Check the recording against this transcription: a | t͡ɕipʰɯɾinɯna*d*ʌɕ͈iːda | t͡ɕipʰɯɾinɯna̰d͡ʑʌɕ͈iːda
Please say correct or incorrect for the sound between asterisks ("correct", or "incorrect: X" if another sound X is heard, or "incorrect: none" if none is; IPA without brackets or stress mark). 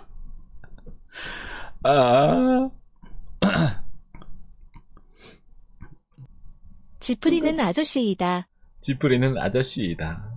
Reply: incorrect: d͡ʑ